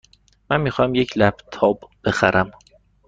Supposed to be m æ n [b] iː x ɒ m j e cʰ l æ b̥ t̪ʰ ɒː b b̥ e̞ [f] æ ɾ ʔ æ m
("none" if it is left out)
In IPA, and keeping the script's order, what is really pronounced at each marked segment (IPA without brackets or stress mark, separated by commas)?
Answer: m, x